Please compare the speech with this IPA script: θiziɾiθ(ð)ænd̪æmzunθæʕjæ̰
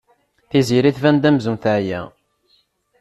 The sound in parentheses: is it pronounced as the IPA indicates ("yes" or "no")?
no